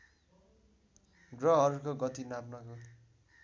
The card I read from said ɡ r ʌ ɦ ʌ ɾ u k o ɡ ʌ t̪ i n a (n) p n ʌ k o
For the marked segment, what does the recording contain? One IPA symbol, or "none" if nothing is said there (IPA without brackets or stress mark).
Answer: none